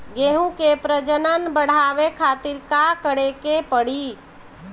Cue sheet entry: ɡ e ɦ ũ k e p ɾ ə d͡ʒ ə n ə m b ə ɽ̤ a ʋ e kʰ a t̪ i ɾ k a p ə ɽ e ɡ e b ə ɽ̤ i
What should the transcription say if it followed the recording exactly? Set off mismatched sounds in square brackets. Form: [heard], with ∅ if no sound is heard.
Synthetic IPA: ɡ e ɦ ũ k e p ɾ ə d͡ʒ ə n ə [n] b ə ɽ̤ a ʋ e kʰ a t̪ i ɾ k a [k] ə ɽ e [k] e [p] ə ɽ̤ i